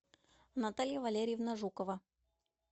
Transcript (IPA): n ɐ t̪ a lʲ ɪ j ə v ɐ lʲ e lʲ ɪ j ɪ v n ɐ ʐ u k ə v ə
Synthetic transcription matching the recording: n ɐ t̪ a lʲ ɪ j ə v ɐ lʲ e ɾʲ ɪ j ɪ v n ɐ ʐ u k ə v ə

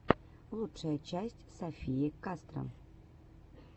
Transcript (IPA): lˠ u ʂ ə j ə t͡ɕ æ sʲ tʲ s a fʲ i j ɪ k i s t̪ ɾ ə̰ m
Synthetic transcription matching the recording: lˠ u ʂ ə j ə t͡ɕ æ sʲ tʲ s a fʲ i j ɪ k a s t̪ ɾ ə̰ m

